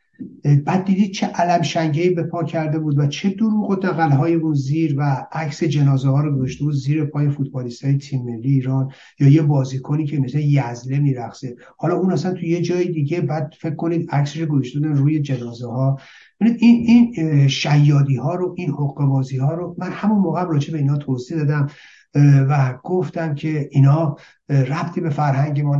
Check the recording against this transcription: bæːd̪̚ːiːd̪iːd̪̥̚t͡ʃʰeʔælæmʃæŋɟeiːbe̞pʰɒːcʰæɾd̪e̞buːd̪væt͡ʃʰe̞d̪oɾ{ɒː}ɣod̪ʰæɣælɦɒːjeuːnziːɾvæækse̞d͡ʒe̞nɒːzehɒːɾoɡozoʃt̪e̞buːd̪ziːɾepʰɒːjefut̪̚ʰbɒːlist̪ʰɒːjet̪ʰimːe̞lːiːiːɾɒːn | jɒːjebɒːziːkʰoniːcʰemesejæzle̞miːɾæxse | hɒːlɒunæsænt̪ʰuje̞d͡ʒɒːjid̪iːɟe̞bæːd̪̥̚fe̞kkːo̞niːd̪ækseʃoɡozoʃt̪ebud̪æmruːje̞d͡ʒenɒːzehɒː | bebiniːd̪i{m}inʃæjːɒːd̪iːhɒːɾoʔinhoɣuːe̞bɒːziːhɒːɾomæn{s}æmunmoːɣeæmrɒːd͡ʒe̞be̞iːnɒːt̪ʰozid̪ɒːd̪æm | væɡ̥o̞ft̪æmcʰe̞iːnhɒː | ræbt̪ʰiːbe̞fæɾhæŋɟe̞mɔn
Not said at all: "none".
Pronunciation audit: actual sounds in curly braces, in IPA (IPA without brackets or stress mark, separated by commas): uː, n, h